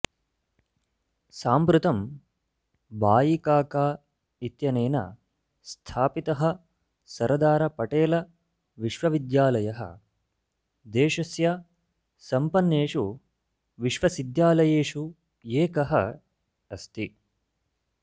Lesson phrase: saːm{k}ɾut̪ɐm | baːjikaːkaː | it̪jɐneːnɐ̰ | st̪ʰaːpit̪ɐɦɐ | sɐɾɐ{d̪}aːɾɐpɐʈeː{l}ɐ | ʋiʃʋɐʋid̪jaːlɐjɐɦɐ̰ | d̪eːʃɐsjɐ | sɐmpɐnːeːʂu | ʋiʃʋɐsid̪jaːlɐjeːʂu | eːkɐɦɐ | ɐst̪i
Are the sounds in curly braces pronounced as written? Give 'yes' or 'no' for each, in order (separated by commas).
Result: no, yes, yes